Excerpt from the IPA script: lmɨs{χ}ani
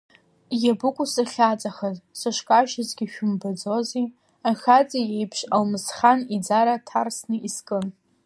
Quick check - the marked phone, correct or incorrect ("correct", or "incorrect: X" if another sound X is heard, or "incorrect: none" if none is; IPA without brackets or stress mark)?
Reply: correct